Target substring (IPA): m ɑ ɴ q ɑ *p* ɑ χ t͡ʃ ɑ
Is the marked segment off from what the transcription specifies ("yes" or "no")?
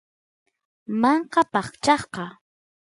no